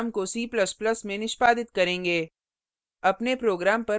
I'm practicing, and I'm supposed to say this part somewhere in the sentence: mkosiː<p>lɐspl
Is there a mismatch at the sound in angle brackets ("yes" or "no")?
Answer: no